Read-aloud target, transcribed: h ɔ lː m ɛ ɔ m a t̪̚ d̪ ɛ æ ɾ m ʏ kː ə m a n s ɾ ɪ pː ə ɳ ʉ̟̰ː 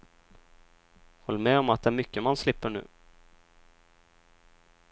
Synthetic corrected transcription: h ɔ lː m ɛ ɔ m a t̪̚ d̪ ɛ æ ɾ m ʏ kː ə m a n s l ɪ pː ə ɳ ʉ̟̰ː